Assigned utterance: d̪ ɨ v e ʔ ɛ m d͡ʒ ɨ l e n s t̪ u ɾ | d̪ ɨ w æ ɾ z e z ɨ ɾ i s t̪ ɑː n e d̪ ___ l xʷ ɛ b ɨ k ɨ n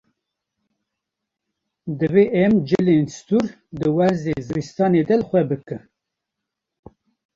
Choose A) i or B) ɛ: B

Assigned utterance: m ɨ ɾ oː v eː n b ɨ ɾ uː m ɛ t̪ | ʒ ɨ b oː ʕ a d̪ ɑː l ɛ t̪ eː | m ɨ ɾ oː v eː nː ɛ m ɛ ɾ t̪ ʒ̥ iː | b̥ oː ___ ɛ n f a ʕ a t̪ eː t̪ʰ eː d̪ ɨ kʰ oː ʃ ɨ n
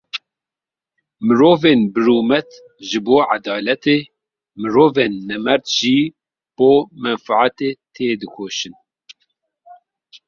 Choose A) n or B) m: B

